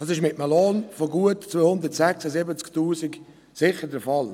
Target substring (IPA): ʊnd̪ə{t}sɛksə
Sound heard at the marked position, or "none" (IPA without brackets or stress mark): t